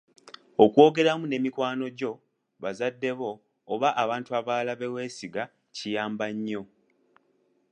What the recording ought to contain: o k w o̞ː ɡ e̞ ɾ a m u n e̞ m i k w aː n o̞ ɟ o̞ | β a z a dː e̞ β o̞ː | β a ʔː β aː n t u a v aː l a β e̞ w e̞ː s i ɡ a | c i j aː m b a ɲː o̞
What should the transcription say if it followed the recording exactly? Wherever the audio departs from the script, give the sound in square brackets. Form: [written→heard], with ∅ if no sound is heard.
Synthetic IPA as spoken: o k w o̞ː ɡ e̞ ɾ a m u n e̞ m i k w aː n o̞ ɟ o̞ | β a z a dː e̞ β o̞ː | β a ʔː β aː n t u a [v→β] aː l a β e̞ w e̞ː s i ɡ a | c i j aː m b a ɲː o̞